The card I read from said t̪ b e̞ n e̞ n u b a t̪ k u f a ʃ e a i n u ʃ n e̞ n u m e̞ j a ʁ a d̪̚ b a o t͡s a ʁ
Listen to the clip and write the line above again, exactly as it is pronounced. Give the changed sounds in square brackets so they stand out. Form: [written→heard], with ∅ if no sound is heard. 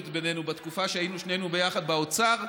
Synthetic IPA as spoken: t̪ b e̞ n e̞ n u b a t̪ k u f a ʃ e a i n u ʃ n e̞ n u [m→b] e̞ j a [ʁ→χ] a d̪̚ b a o t͡s a ʁ

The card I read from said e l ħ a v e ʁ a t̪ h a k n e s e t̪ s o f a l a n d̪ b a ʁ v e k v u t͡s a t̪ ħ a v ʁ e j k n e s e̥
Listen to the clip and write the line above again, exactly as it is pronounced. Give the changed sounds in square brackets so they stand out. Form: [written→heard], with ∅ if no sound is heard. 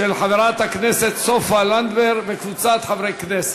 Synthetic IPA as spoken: e l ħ a v e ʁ a t̪ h a k n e s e t̪ s o f a l a n d̪ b [a→e] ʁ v e k v u t͡s a t̪ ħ a v ʁ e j k n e s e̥

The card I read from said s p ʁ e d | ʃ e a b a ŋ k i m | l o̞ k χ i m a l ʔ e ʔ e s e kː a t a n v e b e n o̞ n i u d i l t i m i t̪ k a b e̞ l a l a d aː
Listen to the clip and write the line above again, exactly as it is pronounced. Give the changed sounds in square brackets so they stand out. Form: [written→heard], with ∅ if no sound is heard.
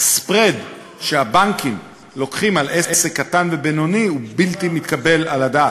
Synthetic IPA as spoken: s p ʁ e d | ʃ e a b a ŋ k i m | l o̞ k χ i m a l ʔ e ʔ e s e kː a t a n v e b e n o̞ n i u [d→b] i l t i m i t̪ k a b e̞ l a l a d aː

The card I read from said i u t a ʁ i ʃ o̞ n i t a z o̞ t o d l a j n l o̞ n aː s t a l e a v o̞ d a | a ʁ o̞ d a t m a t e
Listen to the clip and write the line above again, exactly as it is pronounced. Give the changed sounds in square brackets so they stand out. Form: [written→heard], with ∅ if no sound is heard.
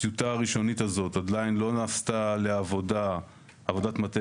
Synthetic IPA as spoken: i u t a ʁ i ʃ o̞ n i t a z o̞ t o d l a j n l o̞ n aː s t a l e a v o̞ d a | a [ʁ→v] o̞ d a t m a t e

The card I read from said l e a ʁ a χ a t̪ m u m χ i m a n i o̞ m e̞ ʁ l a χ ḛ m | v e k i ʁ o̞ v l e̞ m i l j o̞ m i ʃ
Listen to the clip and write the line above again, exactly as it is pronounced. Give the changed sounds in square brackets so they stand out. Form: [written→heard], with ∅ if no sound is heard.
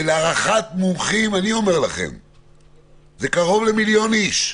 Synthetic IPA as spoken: l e a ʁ a χ a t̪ m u m χ i m a n i o̞ m e̞ ʁ l a χ ḛ m | [v→z] e k [i→a] ʁ o̞ v l e̞ m i l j o̞ [m→n] i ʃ

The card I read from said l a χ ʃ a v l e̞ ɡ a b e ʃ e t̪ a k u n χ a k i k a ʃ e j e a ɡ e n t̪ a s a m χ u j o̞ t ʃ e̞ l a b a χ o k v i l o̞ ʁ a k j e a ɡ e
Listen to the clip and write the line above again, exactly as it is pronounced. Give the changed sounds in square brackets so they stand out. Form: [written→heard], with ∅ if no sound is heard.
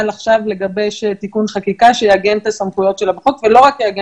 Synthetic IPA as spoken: l a χ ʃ a v l e̞ ɡ a b e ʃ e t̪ [a→i] k u n χ a k i k a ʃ e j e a ɡ e n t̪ a s a m χ u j o̞ t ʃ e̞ l a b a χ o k v [i→e] l o̞ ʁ a k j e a ɡ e

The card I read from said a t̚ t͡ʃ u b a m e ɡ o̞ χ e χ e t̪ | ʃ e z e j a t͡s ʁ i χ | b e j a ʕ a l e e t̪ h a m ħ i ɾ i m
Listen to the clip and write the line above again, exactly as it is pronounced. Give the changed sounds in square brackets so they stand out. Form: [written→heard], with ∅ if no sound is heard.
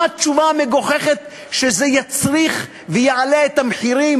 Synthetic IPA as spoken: a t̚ t͡ʃ u [b→v] a m e ɡ o̞ χ e χ e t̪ | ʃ e z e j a t͡s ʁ i χ | [b→v] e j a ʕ a l e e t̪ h a m ħ i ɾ i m

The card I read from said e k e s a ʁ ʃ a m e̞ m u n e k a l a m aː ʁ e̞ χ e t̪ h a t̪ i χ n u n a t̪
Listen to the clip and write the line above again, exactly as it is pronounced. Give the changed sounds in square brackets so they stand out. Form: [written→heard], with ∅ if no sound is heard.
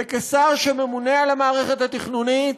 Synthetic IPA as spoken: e k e s a ʁ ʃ [a→e] m e̞ m u n e [k→∅] a l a m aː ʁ e̞ χ e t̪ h a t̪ i χ n u n [a→i] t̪

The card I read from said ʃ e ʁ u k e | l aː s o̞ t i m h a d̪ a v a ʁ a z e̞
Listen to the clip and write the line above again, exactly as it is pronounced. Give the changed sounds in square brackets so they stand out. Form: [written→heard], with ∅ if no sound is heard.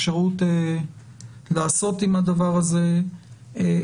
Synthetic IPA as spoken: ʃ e ʁ u [k→t] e | l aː s o̞ t i m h a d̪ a v a ʁ a z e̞

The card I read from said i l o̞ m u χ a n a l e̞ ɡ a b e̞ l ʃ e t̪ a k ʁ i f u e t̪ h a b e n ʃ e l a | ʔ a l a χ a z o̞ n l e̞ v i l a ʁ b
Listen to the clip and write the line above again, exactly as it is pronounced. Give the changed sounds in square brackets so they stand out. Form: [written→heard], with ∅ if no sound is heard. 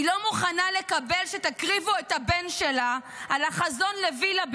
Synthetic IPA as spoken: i l o̞ m u χ a n a l e̞ [ɡ→k] a b e̞ l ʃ e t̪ a k ʁ i [f→v] u e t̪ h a b e n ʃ e l a | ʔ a l a χ a z o̞ n l e̞ v i l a [ʁ→∅] b

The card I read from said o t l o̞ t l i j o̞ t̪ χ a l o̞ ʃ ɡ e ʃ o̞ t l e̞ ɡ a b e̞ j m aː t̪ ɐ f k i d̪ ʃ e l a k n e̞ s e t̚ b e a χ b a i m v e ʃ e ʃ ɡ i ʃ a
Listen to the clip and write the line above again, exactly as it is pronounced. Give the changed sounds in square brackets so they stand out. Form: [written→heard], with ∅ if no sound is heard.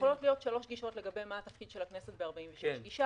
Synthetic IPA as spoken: o [t→∅] l o̞ t l i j o̞ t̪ [χ→ʃ] a l o̞ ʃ ɡ [e→i] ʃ o̞ t l e̞ ɡ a b e̞ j m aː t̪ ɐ f k i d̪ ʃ e l a k n e̞ s e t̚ b e a [χ→ʁ] b a i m v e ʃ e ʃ ɡ i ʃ a

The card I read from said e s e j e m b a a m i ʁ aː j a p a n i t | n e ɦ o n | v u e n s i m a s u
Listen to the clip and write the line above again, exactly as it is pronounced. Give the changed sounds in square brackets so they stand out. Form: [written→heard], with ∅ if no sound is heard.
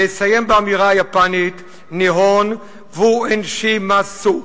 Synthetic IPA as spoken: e s [e→a] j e m b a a m i ʁ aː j a p a n i t | n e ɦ o n | v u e n [s→ʃ] i m a s u

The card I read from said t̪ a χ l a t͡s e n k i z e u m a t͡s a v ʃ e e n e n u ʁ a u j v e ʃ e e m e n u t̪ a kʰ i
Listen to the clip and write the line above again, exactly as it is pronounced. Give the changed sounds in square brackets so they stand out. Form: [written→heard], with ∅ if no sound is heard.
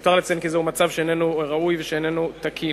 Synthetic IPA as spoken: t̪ a [χ→ʁ] l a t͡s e n k i z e u m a t͡s a v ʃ e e n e n u ʁ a u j v e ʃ e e [m→n] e n u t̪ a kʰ i

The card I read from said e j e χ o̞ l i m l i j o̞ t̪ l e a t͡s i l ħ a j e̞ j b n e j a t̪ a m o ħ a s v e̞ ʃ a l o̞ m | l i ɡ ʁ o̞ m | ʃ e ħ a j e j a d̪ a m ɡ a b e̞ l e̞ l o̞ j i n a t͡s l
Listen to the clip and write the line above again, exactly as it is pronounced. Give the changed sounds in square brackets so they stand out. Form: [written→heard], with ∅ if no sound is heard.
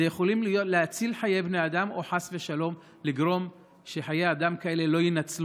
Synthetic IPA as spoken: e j e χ o̞ l i m l i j o̞ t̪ l e a t͡s i l ħ a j e̞ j b n e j a [t̪→d̪] a m o ħ a s v e̞ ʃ a l o̞ m | l i ɡ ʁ o̞ m | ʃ e ħ a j e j a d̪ a m [ɡ→k] a [b→∅] e̞ l e̞ l o̞ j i n a t͡s l

